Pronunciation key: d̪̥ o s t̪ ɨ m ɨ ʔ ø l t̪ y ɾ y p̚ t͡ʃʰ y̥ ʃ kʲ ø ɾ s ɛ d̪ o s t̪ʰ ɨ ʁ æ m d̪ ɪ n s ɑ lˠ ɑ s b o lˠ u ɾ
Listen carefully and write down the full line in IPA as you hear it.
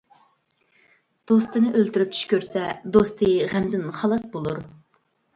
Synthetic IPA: d̪̥ o s t̪ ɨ n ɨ ʔ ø l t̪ y ɾ y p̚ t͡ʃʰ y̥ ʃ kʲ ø ɾ s ɛ d̪ o s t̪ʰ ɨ ʁ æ m d̪ ɪ n χ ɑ lˠ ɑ s b o lˠ u ɾ